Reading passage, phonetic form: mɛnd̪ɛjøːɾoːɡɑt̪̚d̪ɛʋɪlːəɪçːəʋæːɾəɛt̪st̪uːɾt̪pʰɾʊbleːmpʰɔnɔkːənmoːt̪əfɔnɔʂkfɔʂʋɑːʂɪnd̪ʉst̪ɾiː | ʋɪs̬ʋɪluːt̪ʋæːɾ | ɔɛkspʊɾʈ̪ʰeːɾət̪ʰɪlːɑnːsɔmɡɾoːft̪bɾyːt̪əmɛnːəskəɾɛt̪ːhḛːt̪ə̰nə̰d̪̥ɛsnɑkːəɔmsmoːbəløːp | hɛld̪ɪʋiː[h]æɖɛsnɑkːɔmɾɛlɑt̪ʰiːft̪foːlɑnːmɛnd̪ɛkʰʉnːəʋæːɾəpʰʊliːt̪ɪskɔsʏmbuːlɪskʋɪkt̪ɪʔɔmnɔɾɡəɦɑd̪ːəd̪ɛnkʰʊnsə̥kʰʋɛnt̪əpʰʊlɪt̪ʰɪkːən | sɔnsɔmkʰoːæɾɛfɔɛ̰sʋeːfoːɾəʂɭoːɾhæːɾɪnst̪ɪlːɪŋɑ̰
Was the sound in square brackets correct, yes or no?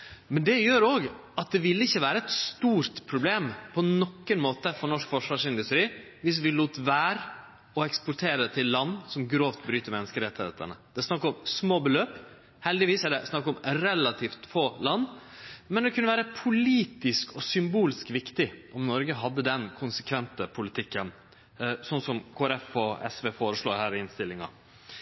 no